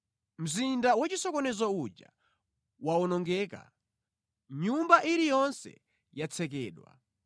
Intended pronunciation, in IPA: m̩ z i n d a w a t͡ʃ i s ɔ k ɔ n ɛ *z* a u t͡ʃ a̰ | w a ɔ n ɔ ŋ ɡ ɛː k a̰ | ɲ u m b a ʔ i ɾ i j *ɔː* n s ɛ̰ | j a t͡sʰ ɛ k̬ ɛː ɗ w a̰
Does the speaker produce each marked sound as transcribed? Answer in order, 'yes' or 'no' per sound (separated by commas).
yes, no